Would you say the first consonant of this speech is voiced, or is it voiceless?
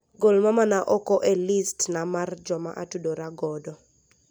voiced